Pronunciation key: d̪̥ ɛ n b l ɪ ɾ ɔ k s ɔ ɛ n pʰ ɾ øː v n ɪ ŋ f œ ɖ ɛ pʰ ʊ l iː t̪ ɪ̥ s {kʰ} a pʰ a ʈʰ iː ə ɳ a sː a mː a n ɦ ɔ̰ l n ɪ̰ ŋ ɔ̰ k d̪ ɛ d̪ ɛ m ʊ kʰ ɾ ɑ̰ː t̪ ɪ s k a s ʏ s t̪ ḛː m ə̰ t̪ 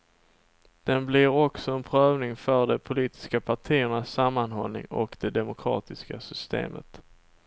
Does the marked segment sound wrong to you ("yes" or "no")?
yes